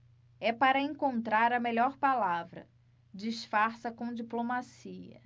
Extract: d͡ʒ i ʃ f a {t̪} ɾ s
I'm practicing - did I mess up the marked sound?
yes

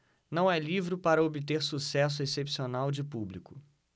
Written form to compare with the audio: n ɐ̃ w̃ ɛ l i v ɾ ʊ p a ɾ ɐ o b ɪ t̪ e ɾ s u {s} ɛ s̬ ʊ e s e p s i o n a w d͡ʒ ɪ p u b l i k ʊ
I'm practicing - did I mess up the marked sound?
no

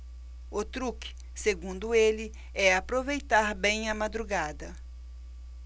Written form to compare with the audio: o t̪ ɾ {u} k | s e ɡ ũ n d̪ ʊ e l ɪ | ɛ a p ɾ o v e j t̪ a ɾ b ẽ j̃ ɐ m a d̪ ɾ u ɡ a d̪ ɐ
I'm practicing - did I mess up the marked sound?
no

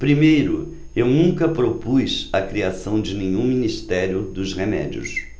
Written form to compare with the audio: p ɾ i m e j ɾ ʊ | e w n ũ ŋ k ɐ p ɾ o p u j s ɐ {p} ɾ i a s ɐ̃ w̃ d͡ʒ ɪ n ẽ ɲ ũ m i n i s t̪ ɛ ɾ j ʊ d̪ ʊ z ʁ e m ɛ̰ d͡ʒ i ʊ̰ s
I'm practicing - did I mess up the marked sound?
yes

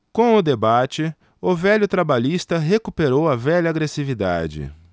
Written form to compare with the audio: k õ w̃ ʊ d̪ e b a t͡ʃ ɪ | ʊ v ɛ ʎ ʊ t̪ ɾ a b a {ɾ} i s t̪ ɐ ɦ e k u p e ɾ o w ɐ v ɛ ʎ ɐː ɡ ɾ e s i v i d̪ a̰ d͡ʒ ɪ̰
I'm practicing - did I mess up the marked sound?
yes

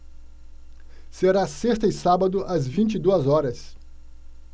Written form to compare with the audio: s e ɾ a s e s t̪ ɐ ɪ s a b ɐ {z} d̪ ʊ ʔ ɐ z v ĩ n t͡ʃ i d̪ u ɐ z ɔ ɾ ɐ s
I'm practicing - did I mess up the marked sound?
yes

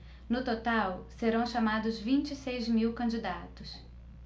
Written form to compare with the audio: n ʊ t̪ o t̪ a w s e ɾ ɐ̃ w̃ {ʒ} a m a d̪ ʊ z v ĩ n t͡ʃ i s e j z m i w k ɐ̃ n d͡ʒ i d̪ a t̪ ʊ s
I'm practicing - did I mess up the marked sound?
yes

